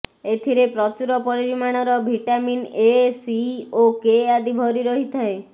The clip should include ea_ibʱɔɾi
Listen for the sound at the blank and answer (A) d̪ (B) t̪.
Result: A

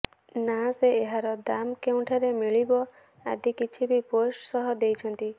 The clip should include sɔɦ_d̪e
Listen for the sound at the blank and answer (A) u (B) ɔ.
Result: B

